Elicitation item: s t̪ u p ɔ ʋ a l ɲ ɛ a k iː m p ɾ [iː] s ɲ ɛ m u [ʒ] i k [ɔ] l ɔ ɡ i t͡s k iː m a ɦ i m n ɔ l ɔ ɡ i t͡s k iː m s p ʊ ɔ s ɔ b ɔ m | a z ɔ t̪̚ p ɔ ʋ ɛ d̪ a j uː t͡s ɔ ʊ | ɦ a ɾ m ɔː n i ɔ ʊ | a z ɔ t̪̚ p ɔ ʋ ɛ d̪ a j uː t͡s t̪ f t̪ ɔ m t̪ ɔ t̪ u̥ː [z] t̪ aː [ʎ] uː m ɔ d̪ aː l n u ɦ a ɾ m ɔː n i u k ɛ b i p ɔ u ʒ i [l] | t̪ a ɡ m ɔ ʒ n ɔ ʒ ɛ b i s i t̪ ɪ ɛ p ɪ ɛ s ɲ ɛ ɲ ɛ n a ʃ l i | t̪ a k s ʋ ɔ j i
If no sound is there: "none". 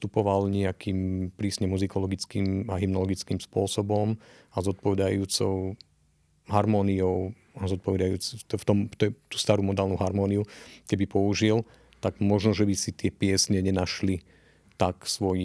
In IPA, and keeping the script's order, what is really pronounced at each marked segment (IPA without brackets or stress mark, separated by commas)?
iː, z, ɔ, s, ɾ, l